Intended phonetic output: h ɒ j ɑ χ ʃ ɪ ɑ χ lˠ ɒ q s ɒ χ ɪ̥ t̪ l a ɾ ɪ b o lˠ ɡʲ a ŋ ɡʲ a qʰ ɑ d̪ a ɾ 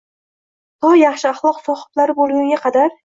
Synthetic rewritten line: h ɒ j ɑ χ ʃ ɪ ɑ χ lˠ ɒ q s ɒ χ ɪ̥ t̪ l a ɾ ɪ b o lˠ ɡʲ a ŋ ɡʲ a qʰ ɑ d̪ a ɾ